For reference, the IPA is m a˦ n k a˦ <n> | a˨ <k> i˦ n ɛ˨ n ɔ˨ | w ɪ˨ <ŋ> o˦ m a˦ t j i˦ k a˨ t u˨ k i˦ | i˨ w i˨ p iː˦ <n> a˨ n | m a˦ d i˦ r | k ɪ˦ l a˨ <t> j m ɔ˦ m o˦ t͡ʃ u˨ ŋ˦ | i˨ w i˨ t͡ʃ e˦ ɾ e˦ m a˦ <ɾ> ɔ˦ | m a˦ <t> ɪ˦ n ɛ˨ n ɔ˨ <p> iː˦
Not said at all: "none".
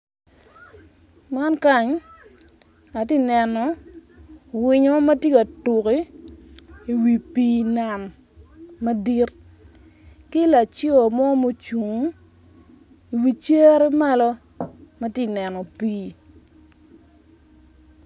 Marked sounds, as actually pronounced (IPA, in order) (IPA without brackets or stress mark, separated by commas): ɲ, t, ɲ, n, t͡ʃ, l, t, p